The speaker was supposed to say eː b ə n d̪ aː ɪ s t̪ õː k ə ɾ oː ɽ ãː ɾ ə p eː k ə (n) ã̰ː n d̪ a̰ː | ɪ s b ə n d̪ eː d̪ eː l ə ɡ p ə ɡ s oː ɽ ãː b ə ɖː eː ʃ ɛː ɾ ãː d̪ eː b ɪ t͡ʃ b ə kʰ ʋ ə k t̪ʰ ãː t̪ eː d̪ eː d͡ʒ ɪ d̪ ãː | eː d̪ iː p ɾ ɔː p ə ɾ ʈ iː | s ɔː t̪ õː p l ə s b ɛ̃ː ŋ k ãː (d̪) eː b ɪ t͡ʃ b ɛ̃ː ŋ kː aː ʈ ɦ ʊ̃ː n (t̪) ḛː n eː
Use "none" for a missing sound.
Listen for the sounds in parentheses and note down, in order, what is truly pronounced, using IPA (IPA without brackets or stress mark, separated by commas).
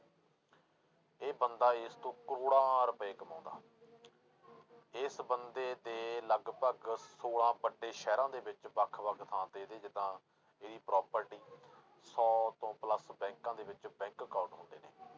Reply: m, d̪, d̪